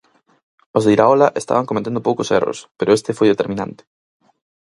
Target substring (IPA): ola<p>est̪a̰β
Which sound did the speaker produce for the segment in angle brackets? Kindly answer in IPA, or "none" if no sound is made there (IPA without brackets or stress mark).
ʔ